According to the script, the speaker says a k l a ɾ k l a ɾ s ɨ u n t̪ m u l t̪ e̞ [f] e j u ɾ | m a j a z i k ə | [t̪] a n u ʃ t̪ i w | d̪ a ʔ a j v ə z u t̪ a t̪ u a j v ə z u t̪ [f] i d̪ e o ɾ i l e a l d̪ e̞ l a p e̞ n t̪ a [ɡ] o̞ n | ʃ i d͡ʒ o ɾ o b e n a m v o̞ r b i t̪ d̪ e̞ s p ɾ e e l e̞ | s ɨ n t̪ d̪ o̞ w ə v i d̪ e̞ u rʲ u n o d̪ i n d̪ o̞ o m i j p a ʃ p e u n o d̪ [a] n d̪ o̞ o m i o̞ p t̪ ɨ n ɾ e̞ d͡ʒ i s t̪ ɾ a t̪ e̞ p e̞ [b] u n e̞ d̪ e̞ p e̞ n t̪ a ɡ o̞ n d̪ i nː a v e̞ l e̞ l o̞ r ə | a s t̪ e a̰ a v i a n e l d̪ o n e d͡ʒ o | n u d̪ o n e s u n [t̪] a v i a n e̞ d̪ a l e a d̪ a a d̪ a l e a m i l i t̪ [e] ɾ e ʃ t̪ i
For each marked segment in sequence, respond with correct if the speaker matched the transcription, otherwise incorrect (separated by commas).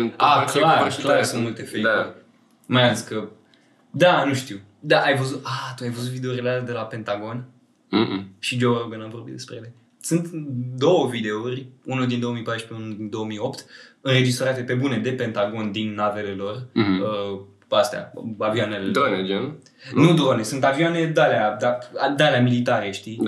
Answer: correct, incorrect, incorrect, correct, incorrect, correct, correct, incorrect